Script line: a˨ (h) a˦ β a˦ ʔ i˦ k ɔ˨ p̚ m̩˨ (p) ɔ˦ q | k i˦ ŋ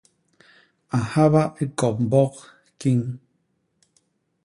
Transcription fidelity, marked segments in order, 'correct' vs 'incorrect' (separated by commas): correct, incorrect